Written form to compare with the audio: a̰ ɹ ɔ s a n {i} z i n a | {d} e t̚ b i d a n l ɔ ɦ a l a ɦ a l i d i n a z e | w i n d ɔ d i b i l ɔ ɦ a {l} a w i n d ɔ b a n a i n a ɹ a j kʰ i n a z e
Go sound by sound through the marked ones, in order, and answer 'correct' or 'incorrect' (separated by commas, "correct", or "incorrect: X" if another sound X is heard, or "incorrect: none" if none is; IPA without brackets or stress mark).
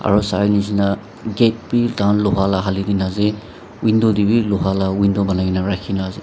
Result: correct, incorrect: ɡ, correct